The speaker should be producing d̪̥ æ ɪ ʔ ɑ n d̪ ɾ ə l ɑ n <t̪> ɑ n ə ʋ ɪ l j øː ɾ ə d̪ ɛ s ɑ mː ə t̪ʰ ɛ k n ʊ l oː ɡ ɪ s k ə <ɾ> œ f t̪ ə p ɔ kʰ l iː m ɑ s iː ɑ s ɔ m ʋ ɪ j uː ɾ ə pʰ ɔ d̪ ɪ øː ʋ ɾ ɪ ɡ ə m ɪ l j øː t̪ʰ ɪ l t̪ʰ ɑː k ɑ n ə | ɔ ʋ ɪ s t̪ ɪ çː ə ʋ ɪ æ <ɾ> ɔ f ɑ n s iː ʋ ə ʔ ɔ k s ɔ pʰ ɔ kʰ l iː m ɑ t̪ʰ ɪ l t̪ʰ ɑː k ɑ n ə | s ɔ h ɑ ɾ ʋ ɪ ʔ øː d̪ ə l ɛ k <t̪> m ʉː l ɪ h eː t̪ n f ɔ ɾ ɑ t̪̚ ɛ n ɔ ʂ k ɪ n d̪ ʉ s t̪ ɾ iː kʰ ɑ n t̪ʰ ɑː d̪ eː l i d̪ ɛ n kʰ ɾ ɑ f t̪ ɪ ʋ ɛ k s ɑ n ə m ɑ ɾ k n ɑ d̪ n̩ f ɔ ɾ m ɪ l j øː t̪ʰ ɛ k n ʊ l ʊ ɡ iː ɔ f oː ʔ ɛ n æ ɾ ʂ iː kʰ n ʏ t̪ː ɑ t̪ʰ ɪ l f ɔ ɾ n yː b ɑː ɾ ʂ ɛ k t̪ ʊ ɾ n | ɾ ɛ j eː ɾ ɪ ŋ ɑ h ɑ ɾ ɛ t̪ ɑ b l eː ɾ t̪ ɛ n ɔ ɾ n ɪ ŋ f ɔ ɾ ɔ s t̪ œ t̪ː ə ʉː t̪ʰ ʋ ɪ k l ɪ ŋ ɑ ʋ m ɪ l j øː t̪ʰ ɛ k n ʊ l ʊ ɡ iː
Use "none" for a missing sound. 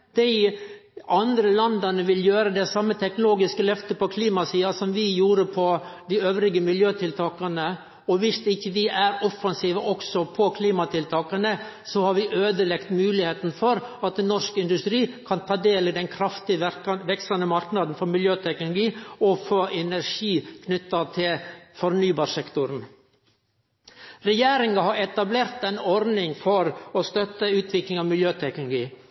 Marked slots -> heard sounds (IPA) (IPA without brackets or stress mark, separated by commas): d̪, l, ɾ, t̪